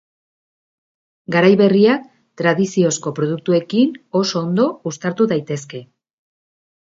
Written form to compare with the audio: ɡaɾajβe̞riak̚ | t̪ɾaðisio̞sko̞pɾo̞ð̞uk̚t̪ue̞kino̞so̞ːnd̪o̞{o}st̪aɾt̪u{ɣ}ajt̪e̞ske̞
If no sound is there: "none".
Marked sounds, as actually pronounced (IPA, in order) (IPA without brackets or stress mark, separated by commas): u, ð